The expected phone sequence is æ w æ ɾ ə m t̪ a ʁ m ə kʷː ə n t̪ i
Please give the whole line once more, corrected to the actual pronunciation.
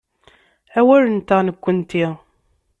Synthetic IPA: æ w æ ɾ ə n t̪ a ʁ n ə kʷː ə n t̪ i